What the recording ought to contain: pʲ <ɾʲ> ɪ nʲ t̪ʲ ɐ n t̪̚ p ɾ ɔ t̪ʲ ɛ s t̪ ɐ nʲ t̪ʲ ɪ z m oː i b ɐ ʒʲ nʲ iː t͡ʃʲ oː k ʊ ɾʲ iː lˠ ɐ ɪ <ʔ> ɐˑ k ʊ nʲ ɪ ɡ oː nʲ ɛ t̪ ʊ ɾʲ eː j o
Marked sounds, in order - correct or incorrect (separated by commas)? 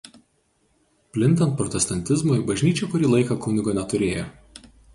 incorrect, incorrect